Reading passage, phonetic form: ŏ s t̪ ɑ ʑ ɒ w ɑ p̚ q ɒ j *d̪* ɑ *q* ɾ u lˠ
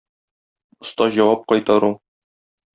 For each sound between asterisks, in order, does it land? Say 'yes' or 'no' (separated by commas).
no, no